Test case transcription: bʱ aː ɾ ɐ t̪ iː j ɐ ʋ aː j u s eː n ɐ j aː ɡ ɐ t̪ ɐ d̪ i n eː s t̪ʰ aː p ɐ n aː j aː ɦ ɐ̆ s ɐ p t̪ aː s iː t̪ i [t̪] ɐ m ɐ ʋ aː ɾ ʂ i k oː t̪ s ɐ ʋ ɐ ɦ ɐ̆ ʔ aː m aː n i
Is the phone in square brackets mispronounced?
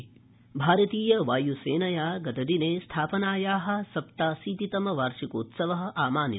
no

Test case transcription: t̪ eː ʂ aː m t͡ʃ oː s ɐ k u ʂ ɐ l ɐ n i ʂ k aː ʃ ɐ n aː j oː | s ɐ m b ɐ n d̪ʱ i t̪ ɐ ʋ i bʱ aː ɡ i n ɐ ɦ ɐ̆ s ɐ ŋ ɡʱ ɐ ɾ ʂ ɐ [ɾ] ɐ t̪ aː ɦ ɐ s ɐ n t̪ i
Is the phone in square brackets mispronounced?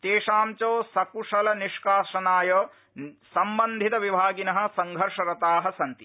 no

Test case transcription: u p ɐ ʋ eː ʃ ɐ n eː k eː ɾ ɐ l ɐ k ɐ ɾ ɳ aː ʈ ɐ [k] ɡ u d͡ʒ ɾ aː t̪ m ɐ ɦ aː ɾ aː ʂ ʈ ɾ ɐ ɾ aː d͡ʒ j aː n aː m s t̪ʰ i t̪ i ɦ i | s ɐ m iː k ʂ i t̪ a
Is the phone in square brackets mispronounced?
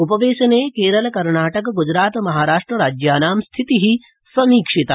no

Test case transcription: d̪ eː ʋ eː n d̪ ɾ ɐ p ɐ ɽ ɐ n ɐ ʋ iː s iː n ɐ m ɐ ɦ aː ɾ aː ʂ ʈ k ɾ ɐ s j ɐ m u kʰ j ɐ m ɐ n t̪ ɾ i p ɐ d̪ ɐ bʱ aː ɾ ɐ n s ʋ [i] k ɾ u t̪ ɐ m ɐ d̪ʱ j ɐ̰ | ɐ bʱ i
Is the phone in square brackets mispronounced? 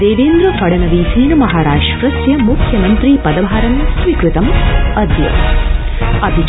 no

